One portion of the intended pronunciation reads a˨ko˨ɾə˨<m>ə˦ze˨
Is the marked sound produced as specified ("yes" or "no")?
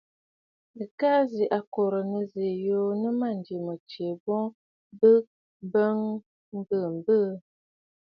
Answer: no